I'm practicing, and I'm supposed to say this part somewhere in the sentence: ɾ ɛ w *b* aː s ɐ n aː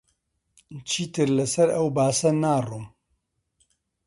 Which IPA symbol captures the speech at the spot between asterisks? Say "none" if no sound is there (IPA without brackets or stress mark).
b